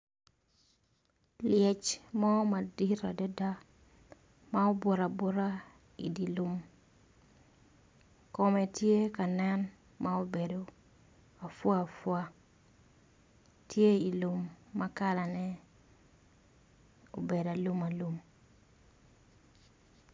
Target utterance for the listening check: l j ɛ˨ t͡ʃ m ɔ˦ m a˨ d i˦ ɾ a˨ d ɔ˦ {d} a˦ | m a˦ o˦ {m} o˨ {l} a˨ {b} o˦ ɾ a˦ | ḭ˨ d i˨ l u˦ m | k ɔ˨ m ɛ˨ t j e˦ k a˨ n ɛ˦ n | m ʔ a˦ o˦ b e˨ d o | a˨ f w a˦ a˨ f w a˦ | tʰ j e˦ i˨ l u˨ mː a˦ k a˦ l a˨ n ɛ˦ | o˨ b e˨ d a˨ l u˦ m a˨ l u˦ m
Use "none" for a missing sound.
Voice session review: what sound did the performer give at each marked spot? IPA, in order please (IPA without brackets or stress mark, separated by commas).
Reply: d, b, ɾ, b